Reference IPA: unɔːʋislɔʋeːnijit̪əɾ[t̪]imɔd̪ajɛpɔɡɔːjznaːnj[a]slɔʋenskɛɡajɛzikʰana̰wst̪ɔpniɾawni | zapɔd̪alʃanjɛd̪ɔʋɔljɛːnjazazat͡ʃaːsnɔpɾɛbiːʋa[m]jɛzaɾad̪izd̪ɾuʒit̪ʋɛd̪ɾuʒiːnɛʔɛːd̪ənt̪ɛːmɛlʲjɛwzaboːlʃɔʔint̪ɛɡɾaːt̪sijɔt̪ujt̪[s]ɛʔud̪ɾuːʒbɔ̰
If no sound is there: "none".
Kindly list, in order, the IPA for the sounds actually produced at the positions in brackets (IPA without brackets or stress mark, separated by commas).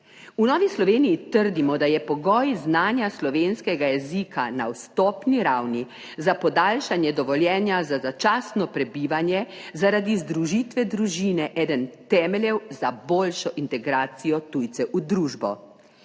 d̪, a, n, s